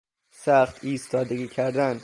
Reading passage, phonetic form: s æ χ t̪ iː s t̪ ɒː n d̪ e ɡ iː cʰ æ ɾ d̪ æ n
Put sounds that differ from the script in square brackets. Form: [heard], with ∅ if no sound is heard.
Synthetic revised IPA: s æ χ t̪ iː s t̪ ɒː [∅] d̪ e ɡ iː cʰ æ ɾ d̪ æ n